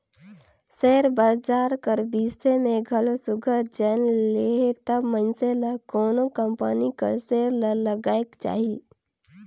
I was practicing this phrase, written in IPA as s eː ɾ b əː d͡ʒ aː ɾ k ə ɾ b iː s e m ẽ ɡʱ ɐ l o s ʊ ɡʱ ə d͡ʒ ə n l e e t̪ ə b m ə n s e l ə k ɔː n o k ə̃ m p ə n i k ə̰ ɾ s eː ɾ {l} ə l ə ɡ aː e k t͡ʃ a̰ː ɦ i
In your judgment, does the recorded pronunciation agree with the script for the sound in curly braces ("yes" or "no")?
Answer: yes